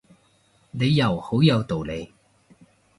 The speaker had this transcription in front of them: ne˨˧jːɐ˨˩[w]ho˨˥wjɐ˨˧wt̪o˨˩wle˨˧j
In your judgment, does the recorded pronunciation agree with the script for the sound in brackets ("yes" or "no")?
yes